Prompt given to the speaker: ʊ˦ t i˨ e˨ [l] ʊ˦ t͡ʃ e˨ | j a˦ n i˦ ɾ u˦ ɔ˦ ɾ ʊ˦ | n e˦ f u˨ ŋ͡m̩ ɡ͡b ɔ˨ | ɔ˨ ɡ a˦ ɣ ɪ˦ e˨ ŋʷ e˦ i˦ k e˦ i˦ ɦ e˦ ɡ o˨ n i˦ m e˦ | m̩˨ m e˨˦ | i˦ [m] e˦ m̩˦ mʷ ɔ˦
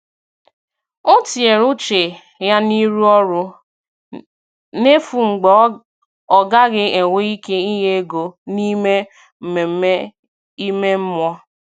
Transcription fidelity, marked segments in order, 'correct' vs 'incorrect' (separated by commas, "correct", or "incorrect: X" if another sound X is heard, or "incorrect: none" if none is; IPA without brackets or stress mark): incorrect: ɾ, correct